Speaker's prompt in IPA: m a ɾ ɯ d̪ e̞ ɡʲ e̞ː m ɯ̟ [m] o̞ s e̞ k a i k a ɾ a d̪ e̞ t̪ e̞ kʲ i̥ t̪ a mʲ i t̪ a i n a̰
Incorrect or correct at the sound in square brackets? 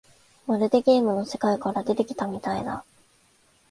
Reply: incorrect: n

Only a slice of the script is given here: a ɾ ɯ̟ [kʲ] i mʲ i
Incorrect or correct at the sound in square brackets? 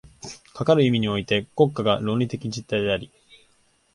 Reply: incorrect: none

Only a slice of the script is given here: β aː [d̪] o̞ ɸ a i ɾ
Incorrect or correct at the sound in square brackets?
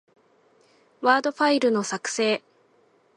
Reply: correct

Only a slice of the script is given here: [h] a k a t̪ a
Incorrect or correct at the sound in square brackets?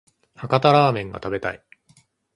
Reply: correct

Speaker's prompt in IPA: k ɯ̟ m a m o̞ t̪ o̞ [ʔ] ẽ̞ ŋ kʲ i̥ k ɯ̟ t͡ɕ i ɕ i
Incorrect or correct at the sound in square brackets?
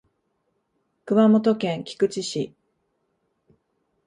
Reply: incorrect: k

